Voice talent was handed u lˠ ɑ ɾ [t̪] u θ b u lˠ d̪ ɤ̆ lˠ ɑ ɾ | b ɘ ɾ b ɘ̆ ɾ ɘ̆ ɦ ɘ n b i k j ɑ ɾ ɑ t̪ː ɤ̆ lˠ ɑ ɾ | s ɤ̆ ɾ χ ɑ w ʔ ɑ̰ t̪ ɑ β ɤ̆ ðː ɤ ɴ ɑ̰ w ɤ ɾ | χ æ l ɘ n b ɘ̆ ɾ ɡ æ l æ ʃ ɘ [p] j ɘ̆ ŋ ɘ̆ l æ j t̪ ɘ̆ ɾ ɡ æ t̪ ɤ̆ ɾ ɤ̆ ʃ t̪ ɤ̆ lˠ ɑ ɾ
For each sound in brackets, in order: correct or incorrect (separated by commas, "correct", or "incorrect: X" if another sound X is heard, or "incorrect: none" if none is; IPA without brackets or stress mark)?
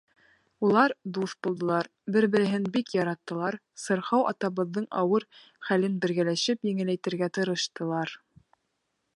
incorrect: d̪, correct